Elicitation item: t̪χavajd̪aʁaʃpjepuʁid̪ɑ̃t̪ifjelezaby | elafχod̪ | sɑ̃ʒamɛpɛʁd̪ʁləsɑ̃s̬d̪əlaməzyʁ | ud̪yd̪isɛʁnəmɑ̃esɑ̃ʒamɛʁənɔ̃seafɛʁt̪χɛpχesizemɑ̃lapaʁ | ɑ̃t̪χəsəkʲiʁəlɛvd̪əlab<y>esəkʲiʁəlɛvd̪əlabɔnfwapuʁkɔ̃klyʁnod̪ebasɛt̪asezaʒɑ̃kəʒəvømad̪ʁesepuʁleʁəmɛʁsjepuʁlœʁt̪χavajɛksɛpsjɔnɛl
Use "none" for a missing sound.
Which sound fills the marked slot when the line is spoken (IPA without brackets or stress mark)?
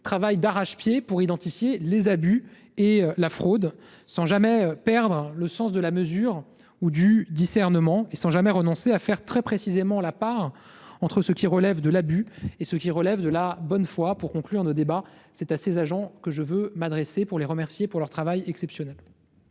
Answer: y